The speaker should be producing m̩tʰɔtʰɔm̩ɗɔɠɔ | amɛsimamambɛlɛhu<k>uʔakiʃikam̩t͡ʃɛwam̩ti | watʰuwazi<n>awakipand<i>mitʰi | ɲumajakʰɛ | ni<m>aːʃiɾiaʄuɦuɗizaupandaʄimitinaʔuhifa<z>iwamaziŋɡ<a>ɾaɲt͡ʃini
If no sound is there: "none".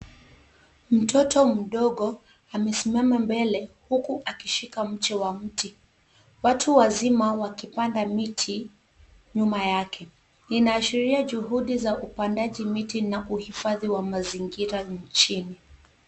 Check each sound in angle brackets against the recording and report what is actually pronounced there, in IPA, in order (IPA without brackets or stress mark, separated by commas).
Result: k, m, a, n, ð, i